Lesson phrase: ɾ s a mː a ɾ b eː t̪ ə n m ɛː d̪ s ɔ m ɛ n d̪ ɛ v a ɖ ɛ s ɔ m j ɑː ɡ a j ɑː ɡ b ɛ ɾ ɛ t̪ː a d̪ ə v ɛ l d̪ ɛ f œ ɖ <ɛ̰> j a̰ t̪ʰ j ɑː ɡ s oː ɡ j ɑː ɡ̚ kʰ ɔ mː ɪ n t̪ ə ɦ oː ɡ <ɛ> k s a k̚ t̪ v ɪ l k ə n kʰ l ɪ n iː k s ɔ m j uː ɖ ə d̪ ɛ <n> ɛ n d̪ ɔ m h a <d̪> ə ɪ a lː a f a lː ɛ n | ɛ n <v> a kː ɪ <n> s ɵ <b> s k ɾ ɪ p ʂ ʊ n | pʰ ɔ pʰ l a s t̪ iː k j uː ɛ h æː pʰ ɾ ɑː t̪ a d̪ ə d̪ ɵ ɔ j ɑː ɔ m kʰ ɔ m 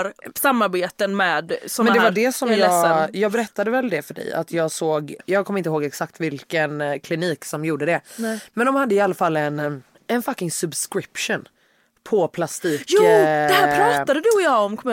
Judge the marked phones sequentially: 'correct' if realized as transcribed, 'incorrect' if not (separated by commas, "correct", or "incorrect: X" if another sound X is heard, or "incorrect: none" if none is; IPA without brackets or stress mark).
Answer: correct, correct, incorrect: m, incorrect: d̪ː, incorrect: f, incorrect: ŋ, correct